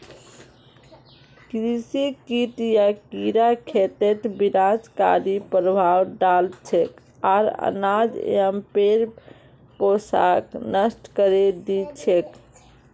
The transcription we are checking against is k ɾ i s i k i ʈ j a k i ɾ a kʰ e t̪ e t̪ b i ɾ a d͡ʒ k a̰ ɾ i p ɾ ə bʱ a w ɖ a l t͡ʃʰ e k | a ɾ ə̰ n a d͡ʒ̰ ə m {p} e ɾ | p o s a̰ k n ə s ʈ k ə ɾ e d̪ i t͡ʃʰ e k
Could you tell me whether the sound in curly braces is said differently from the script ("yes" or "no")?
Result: no